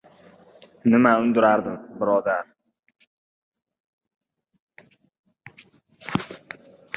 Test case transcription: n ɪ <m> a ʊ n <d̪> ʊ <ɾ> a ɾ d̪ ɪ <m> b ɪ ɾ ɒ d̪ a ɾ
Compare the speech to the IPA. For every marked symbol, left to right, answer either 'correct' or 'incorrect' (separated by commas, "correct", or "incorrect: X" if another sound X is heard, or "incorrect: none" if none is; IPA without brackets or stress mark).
correct, correct, correct, correct